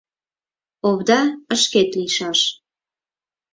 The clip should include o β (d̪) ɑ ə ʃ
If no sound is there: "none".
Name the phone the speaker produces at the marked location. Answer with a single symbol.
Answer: d̪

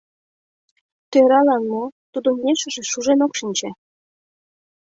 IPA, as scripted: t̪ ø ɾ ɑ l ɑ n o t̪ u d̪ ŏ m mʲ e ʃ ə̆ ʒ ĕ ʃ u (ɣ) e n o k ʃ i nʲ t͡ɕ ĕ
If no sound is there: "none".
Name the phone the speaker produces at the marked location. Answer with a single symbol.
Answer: ʒ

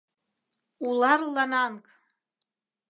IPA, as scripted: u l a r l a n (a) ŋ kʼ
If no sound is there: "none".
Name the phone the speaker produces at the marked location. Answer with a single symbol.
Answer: a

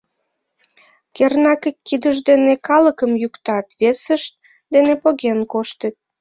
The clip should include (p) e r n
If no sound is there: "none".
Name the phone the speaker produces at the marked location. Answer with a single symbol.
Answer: k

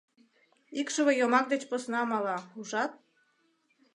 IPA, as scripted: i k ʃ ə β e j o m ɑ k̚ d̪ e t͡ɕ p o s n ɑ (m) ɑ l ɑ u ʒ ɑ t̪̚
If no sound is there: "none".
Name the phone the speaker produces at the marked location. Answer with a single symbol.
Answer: m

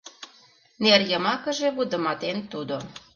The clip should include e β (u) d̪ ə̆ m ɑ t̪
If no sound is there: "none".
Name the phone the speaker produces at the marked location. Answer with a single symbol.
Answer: u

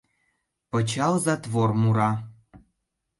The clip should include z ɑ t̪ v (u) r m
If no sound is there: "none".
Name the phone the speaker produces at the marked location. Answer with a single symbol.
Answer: o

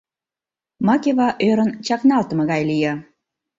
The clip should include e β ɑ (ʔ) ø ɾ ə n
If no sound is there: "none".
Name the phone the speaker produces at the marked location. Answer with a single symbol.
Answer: ʔ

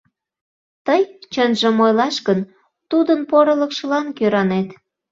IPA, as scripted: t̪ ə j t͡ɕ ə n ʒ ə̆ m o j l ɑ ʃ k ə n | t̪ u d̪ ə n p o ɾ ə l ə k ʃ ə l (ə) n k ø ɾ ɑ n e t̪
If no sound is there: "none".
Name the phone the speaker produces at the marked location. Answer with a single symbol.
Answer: ɑ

